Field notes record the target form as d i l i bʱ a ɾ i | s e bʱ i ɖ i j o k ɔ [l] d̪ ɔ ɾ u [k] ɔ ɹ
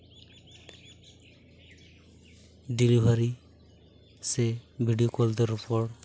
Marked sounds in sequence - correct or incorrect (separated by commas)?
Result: correct, incorrect